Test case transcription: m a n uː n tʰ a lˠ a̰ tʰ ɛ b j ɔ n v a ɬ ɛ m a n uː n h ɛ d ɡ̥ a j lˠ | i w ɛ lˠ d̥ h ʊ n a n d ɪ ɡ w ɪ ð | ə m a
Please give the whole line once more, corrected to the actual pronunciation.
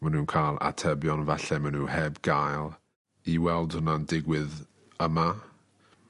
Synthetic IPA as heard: m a n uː n kʰ a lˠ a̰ tʰ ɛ b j ɔ n v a ɬ ɛ m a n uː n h ɛ b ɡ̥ a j lˠ | i w ɛ lˠ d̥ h ʊ n a n d ɪ ɡ w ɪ ð | ə m a